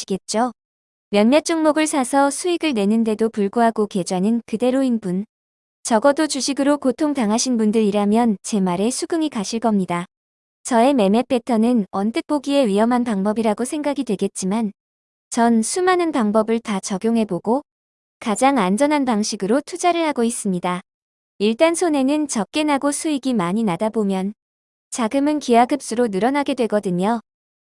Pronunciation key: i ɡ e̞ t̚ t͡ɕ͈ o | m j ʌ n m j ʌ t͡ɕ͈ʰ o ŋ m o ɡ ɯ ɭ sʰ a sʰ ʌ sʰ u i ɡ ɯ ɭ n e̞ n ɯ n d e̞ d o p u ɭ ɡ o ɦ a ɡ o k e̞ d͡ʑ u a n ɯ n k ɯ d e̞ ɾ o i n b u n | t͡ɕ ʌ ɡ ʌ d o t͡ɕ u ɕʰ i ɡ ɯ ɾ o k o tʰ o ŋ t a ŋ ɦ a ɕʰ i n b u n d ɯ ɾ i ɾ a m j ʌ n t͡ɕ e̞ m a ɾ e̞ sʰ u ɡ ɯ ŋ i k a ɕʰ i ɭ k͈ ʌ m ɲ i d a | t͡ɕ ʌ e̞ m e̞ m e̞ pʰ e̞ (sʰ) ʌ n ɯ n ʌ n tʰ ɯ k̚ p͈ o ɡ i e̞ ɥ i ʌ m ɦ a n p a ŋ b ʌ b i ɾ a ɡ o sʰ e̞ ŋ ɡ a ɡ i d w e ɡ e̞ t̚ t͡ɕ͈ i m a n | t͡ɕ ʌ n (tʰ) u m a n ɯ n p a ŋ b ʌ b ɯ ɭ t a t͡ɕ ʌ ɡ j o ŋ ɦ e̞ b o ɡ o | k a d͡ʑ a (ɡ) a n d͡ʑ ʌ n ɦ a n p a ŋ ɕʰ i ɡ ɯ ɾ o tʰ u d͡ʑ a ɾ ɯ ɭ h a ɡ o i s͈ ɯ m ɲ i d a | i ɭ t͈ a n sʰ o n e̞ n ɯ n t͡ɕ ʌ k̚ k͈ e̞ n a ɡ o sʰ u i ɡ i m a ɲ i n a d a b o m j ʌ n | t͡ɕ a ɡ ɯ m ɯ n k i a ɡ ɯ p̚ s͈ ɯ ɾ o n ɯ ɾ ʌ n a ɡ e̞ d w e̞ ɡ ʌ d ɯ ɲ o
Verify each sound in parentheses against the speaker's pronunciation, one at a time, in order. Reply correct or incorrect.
incorrect, incorrect, incorrect

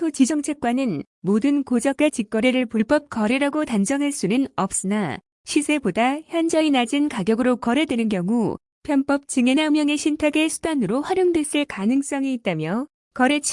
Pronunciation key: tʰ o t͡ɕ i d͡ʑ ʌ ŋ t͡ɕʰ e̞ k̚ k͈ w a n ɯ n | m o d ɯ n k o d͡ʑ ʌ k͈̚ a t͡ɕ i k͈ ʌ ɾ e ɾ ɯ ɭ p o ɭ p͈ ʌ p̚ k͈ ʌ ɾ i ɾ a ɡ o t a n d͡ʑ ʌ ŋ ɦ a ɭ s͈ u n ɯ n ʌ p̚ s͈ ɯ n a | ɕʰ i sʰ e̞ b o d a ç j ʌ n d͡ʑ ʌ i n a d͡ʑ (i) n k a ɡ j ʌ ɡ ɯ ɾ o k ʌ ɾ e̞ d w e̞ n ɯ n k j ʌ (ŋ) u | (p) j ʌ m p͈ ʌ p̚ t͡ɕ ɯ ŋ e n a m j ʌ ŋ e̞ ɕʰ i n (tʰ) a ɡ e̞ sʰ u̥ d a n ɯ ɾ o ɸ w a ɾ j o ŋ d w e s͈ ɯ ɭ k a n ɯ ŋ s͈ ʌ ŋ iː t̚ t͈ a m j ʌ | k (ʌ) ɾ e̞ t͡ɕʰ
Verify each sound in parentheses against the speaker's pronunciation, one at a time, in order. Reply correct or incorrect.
correct, correct, incorrect, correct, correct

